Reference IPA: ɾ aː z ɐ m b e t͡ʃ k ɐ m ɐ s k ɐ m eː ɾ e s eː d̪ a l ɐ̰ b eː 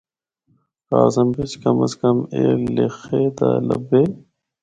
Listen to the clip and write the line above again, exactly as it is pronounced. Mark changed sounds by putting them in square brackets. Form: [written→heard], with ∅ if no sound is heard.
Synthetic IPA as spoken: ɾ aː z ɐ m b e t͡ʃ k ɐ m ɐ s k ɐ m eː [ɾ→l] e [s→x] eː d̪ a l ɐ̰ b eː

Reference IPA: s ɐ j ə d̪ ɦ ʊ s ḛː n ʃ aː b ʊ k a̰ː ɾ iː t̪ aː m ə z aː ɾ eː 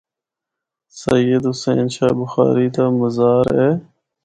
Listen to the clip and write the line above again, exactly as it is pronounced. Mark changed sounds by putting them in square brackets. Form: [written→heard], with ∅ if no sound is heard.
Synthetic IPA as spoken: s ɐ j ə d̪ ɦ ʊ s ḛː n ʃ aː b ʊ [k→x] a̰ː ɾ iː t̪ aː m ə z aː ɾ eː

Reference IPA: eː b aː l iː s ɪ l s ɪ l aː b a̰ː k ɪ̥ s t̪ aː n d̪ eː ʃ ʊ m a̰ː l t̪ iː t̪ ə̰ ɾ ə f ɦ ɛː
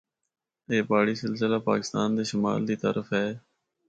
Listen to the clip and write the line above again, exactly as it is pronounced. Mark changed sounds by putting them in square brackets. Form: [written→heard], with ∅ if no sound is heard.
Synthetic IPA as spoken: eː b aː [l→ɽ] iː s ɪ l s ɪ l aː [b→p] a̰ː k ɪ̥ s t̪ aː n d̪ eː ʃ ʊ m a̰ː l [t̪→d̪] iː t̪ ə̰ ɾ ə f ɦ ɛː

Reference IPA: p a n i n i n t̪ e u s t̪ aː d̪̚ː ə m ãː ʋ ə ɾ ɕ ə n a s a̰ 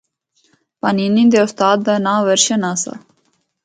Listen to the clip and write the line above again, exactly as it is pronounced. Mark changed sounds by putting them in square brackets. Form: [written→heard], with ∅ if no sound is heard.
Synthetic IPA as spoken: p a n i n i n [t̪→d̪] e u s t̪ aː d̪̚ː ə [m→n] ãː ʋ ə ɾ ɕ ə n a s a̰

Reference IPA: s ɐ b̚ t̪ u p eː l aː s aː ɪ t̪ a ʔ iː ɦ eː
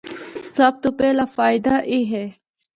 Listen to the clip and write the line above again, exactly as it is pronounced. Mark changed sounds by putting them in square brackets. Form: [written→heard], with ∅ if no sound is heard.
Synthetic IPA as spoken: s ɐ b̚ t̪ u p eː l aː [s→f] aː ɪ [t̪→d̪] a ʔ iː ɦ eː

